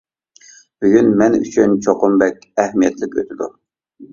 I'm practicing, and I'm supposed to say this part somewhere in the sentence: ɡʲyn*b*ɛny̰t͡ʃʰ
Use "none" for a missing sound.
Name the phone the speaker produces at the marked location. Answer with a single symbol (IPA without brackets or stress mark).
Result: m